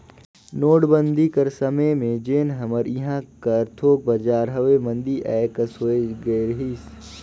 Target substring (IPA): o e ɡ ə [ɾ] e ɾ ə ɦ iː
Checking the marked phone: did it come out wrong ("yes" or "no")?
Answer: yes